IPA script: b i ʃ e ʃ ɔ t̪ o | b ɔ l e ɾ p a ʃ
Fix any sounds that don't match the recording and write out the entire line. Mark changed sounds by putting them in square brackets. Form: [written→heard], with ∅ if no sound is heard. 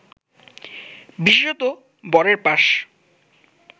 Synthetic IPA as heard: b i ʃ e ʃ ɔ t̪ o | b ɔ [l→ɾ] e ɾ p a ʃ